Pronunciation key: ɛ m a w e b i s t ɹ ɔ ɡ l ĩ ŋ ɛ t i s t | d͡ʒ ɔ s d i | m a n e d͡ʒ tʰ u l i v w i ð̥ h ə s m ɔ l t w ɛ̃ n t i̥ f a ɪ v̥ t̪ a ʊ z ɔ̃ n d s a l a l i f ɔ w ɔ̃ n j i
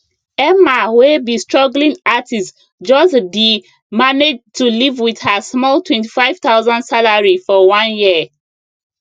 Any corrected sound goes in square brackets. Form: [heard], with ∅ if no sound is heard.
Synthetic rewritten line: ɛ m a w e b i s t ɹ ɔ ɡ l ĩ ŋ [a] t i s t | d͡ʒ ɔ s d i | m a n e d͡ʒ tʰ u l i v w i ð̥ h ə s m ɔ l t w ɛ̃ n t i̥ f a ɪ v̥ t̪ a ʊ z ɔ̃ n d s a l a [ɹ] i f ɔ w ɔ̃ n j i